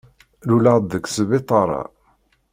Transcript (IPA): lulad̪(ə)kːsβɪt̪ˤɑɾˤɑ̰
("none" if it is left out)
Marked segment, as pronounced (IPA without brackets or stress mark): ə